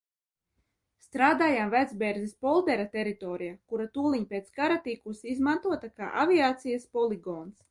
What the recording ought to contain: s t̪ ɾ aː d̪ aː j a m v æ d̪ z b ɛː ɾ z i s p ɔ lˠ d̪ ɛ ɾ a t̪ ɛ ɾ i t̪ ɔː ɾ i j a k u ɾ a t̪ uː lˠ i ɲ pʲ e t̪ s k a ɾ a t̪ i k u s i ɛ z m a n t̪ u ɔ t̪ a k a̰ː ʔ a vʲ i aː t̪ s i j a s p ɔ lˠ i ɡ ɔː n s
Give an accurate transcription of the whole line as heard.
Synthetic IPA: s t̪ ɾ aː d̪ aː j a m v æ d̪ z b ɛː ɾ z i s p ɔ lˠ d̪ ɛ ɾ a t̪ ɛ ɾ i t̪ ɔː ɾ i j a k u ɾ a t̪ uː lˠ i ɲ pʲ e t̪ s k a ɾ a t̪ i k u s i i z m a n t̪ u ɔ t̪ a k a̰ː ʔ a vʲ i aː t̪ s i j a s p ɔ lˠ i ɡ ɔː n s